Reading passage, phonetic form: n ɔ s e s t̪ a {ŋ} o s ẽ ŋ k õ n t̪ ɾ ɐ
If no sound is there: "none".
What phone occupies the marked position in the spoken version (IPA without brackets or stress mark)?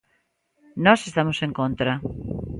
m